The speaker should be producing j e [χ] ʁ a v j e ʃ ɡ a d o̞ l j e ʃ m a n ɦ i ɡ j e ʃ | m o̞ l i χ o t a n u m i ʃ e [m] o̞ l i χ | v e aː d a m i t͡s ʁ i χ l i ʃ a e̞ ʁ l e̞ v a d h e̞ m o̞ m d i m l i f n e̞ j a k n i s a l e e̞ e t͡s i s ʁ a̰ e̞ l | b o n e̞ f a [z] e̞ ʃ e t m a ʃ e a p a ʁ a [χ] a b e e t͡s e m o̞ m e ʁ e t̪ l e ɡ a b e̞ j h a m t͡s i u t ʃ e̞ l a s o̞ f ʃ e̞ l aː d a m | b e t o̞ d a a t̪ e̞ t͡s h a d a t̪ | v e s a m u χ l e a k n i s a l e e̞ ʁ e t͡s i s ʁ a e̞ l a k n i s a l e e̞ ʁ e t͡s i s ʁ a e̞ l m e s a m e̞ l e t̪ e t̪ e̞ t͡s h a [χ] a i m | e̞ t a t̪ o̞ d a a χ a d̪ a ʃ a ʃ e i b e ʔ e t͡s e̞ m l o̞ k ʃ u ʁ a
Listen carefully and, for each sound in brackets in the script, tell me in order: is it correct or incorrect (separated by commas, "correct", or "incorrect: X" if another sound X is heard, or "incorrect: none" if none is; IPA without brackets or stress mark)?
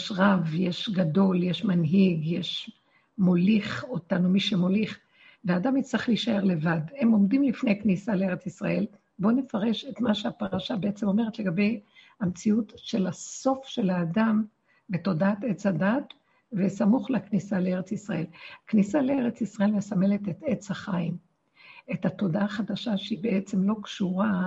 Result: incorrect: ʃ, correct, incorrect: ʁ, incorrect: ʃ, correct